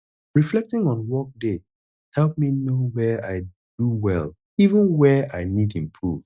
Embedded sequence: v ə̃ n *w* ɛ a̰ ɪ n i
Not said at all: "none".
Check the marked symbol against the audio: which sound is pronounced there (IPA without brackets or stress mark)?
w